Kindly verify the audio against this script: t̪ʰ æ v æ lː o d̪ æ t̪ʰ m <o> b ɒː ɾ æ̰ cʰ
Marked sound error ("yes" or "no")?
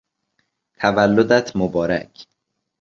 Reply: no